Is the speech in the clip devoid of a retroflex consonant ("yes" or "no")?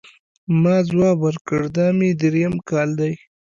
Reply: no